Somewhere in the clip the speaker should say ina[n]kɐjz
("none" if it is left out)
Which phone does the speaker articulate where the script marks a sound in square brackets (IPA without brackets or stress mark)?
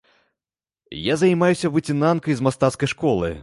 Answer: n